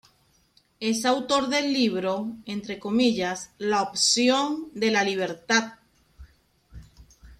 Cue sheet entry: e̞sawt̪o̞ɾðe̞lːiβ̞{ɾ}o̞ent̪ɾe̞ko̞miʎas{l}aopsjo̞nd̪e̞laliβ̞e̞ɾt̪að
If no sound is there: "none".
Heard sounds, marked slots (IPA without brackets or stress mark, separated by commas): ɾ, l